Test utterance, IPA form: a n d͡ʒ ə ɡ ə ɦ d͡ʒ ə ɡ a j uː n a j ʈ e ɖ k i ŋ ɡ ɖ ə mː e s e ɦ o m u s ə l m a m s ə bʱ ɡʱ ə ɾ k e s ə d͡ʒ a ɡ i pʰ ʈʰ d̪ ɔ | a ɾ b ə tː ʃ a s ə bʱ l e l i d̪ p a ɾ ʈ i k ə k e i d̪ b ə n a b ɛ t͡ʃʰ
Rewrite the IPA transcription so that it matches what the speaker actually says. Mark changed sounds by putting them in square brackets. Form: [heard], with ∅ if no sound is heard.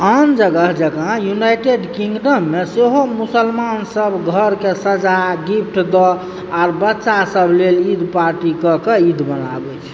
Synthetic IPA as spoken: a n d͡ʒ ə ɡ ə ɦ d͡ʒ ə ɡ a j [u] n a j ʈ e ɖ k i ŋ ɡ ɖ ə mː e s e ɦ o m u s ə l m a [n] s ə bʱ ɡʱ ə ɾ k e s ə d͡ʒ a ɡ i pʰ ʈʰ d̪ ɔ | a ɾ b ə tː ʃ a s ə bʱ l e l i d̪ p a ɾ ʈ i k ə k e i d̪ b ə n a b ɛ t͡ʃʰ